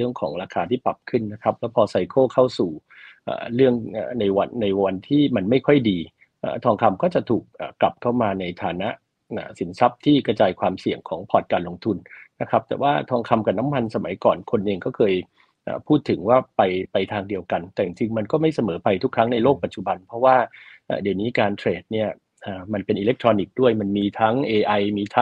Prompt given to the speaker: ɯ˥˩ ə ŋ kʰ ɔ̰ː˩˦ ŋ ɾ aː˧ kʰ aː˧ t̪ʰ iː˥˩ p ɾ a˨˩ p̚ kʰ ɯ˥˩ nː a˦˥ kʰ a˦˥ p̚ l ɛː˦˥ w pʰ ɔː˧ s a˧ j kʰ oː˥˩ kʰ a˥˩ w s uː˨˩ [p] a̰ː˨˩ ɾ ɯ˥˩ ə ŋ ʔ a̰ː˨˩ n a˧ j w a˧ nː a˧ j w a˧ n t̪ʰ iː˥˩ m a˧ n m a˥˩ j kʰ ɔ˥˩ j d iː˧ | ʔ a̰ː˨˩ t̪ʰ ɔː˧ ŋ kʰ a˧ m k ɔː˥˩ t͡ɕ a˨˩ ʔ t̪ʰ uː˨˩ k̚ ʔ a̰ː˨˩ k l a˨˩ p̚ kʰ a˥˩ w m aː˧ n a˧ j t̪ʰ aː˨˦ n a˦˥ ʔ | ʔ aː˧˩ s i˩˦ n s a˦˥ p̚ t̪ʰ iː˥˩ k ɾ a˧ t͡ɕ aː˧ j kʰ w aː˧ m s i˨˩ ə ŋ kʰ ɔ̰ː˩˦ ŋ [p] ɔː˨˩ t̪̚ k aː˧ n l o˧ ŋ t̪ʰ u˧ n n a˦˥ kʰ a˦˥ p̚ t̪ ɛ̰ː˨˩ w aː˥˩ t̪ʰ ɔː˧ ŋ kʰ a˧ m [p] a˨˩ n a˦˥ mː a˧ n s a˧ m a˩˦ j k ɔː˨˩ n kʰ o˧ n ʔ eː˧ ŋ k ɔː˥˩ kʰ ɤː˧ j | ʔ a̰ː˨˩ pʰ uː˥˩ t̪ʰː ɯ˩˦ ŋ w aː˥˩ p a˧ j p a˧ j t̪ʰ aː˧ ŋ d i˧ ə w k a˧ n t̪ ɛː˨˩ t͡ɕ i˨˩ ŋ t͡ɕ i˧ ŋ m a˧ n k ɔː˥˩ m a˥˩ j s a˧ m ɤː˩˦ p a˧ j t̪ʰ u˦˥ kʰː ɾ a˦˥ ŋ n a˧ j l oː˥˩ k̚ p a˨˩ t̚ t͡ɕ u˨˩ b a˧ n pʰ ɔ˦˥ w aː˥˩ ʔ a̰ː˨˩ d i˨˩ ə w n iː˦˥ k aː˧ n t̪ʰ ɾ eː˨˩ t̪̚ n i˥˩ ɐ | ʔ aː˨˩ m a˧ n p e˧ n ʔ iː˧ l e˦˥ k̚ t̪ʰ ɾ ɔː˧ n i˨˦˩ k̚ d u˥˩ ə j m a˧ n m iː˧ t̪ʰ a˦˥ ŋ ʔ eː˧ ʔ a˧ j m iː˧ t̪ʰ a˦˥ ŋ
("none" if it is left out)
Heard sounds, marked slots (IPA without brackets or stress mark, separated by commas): ʔ, pʰ, k